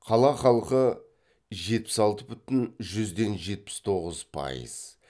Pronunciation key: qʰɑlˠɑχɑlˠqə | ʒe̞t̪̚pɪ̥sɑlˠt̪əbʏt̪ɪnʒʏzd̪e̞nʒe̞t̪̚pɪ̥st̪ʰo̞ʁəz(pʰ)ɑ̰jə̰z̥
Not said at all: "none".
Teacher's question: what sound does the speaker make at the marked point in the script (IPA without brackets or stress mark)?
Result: pʰ